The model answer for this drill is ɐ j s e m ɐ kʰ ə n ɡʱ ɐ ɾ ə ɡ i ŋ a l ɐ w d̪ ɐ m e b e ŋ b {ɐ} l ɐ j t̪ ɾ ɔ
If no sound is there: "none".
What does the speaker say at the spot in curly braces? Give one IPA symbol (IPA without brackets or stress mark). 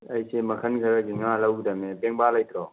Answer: a